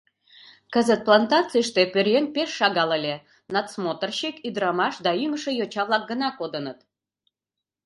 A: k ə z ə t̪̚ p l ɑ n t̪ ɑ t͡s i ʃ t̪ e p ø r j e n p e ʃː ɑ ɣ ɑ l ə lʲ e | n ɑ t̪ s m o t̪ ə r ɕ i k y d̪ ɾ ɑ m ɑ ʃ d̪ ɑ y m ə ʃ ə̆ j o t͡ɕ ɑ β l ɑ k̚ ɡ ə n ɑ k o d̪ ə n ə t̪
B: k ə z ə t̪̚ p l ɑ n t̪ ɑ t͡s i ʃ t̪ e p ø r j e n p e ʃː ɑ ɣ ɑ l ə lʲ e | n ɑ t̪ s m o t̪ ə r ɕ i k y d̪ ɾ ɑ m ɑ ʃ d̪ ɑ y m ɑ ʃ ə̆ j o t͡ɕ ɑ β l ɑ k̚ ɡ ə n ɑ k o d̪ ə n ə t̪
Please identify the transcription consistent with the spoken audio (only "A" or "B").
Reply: A